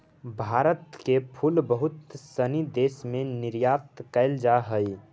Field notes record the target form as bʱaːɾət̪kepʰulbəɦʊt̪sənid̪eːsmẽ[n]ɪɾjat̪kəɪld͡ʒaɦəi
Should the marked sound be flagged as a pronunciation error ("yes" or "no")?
no